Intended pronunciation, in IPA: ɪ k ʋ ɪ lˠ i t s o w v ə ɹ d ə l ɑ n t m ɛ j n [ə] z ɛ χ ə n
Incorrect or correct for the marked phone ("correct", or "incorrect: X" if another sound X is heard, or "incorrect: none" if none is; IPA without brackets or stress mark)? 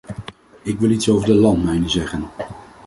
correct